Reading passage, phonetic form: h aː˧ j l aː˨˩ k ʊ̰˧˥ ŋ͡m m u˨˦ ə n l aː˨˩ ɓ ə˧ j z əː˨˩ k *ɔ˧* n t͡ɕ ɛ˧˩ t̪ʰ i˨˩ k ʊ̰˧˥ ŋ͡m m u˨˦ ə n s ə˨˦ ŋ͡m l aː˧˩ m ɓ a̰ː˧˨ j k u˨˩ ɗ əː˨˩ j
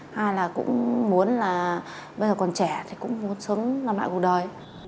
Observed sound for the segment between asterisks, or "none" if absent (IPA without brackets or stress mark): ɔ˨˩